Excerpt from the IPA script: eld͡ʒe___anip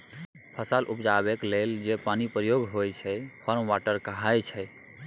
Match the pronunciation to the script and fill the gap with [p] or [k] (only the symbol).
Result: p